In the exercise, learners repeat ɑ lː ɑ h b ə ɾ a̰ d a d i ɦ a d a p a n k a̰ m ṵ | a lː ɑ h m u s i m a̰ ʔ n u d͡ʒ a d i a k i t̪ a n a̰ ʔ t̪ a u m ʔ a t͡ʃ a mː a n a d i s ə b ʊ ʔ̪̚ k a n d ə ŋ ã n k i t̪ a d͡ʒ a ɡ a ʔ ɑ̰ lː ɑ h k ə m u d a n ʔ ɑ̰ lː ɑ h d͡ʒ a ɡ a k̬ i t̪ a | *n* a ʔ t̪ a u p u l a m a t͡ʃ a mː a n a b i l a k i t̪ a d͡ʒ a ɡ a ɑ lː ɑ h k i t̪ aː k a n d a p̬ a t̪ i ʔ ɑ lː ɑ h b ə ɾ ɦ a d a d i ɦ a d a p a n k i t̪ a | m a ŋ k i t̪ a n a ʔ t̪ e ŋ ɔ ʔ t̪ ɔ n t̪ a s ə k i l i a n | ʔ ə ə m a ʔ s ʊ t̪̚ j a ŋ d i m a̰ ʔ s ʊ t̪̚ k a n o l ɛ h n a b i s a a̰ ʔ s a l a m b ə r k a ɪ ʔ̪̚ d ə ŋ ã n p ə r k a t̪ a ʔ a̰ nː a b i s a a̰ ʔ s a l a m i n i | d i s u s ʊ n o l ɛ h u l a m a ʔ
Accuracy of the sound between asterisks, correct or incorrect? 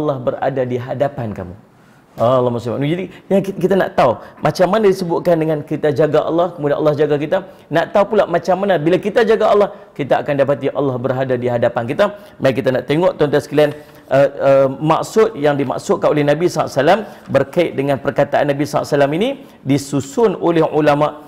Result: correct